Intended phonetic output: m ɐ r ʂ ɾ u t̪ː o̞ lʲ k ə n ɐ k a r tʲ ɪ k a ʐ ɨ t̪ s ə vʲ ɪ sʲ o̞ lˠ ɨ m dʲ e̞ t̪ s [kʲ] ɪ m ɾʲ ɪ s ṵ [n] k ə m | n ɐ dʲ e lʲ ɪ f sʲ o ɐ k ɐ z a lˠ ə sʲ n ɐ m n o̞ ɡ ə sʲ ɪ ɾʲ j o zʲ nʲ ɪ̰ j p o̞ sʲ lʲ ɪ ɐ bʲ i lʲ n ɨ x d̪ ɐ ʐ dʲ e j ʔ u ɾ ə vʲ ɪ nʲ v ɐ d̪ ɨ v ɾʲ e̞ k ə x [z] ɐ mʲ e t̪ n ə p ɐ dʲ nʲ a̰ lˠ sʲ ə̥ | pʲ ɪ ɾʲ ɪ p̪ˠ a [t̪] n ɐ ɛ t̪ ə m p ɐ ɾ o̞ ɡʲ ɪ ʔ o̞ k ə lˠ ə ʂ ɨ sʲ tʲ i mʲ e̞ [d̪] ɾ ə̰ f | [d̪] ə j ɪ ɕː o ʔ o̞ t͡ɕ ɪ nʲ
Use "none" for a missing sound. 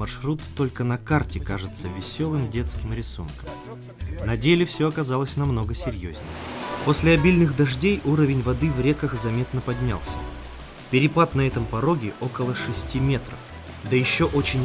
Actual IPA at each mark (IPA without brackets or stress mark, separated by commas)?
kʲ, n, z, t̪, t̪, d̪